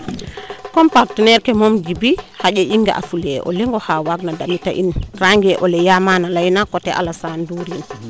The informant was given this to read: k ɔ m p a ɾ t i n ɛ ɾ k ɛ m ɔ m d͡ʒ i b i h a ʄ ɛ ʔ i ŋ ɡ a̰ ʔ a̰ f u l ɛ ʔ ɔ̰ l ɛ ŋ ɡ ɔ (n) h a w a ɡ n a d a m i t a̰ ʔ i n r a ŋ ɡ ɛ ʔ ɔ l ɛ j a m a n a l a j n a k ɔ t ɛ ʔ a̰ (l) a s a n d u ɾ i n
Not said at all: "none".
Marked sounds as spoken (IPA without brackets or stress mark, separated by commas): none, l